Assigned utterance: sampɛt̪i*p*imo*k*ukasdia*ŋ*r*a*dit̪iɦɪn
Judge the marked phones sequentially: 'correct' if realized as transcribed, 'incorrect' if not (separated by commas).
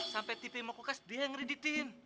correct, correct, correct, incorrect